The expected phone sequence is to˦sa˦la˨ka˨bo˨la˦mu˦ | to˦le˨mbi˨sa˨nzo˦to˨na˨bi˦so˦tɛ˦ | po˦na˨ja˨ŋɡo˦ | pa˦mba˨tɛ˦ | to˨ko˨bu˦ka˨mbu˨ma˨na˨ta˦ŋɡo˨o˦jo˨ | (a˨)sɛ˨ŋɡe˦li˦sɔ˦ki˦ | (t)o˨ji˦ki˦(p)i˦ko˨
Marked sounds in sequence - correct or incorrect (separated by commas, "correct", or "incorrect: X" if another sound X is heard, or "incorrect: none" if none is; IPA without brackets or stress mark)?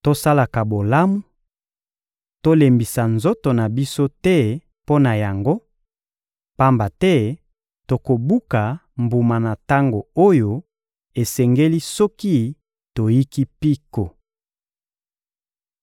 incorrect: e˨, correct, correct